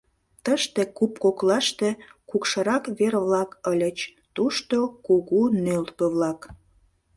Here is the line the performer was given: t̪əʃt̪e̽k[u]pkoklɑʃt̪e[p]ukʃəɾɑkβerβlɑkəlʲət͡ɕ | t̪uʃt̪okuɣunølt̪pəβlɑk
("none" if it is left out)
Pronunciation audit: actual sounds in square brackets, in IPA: u, k

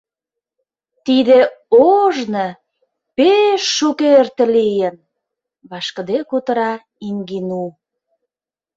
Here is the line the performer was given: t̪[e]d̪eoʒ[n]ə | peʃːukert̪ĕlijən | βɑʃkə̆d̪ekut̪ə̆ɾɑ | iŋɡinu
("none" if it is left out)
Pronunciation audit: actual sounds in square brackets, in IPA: i, n

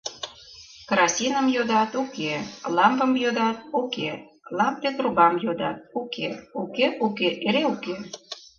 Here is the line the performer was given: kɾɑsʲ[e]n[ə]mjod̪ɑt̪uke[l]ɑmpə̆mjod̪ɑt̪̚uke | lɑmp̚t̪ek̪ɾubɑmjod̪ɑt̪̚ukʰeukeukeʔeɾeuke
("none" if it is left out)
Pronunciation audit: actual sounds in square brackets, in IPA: i, ə, l

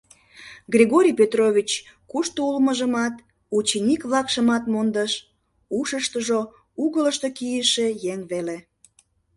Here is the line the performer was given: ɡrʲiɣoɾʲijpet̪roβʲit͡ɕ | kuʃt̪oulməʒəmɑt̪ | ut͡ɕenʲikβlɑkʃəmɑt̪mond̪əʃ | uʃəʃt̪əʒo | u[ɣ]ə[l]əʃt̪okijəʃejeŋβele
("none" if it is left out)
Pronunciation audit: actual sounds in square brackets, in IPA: ɣ, l

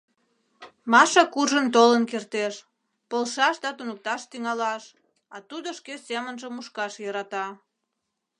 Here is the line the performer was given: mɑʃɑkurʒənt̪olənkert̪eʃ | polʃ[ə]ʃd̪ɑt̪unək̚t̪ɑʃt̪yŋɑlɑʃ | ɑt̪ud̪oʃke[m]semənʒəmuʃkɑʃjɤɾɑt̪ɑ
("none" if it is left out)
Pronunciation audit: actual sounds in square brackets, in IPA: ɑ, none

